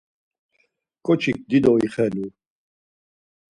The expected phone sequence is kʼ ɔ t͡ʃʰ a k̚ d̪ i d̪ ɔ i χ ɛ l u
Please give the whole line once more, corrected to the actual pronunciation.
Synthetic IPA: kʼ ɔ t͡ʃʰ i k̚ d̪ i d̪ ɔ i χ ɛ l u